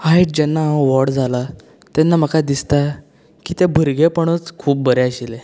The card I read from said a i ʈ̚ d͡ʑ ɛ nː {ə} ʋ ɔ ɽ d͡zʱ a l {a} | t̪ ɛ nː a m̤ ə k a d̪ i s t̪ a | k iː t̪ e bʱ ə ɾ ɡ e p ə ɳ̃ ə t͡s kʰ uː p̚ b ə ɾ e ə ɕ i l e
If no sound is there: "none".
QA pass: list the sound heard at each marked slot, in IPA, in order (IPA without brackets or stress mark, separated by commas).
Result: a, a